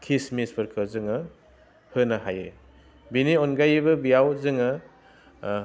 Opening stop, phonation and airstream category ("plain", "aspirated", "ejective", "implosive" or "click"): aspirated